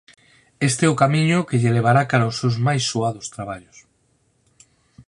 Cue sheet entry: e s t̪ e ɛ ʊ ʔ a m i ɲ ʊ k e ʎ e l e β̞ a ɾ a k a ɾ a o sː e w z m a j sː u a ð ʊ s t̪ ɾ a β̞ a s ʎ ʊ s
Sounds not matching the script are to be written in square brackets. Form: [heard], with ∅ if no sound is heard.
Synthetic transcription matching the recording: e s t̪ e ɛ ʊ [k] a m i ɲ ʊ k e ʎ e l e β̞ a ɾ a k a ɾ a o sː e w z m a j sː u a ð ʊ s t̪ ɾ a β̞ a [∅] ʎ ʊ s